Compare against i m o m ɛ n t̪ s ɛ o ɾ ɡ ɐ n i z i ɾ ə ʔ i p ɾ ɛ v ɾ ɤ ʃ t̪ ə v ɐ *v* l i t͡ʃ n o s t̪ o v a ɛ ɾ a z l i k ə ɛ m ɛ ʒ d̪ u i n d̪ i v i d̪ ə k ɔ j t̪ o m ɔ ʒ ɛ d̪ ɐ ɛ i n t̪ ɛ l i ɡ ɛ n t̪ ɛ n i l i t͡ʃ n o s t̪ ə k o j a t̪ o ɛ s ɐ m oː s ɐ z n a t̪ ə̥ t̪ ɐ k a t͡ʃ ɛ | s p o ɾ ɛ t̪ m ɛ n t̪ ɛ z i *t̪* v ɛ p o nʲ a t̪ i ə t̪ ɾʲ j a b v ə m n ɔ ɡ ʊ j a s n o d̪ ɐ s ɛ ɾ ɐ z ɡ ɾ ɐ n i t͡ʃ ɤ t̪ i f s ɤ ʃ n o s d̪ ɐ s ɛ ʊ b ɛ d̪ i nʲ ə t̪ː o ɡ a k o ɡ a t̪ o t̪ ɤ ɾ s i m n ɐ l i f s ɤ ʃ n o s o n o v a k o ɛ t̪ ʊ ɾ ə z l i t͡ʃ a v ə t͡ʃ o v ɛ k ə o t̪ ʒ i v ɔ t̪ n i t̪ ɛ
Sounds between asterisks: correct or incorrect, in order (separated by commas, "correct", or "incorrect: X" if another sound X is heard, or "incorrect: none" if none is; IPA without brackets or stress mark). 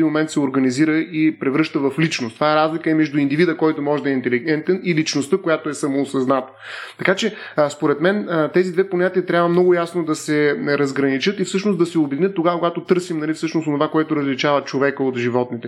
incorrect: f, incorrect: d̪